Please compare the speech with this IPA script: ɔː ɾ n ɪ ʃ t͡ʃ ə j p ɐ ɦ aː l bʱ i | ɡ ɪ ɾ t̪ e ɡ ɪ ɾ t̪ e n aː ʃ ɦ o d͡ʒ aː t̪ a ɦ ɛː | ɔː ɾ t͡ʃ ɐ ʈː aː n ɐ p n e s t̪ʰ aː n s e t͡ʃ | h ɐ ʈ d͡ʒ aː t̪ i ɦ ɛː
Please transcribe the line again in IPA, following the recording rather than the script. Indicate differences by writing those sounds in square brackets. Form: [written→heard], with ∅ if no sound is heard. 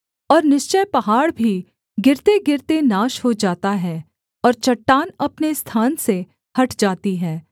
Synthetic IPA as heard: ɔː ɾ n ɪ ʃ t͡ʃ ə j p ɐ ɦ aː [l→ɽ] bʱ i | ɡ ɪ ɾ t̪ e ɡ ɪ ɾ t̪ e n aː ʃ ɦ o d͡ʒ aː t̪ a ɦ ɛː | ɔː ɾ t͡ʃ ɐ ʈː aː n ɐ p n e s t̪ʰ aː n s e [t͡ʃ→∅] | h ɐ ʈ d͡ʒ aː t̪ i ɦ ɛː